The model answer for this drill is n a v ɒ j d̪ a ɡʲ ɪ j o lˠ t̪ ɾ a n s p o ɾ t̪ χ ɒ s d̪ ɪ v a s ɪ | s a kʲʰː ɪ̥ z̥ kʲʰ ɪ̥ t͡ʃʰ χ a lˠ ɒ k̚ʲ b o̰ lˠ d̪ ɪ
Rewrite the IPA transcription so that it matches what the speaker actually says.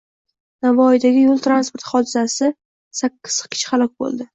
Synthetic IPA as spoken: n a v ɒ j d̪ a ɡʲ ɪ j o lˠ t̪ ɾ a n s p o ɾ t̪ χ ɒ d̪ ɪ z a s ɪ | s a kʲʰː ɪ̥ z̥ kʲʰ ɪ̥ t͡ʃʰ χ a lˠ ɒ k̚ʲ b o̰ lˠ d̪ ɪ